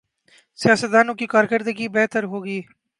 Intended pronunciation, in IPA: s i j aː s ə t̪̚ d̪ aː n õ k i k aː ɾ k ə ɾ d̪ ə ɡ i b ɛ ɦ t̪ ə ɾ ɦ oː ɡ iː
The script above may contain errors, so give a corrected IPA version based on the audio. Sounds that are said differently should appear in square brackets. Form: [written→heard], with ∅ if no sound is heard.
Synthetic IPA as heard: s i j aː s ə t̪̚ d̪ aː n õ k i k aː ɾ k ə ɾ d̪ ə ɡ i b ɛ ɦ t̪ ə ɾ ɦ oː ɡ iː